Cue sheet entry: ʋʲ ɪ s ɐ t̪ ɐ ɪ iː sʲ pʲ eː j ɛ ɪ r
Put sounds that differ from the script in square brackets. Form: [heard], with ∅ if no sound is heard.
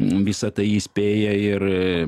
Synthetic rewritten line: ʋʲ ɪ s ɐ t̪ ɐ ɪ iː sʲ pʲ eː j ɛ ɪ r